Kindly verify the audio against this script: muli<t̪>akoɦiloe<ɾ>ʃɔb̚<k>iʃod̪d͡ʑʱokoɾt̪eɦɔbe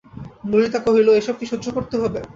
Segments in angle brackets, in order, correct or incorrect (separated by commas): correct, incorrect, correct